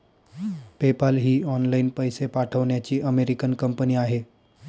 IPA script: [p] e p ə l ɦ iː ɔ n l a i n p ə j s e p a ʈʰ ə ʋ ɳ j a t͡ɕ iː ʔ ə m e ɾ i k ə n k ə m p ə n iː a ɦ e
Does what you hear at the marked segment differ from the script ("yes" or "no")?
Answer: no